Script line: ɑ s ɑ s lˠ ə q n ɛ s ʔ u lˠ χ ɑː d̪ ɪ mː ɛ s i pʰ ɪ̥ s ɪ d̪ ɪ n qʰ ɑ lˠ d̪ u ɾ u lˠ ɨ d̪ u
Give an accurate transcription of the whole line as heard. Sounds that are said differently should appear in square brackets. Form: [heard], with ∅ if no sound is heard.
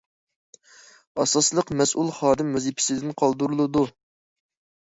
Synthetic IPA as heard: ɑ s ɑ s lˠ ə q [m] ɛ s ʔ u lˠ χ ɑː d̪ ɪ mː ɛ [z] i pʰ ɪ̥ s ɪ d̪ ɪ n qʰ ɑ lˠ d̪ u ɾ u lˠ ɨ d̪ u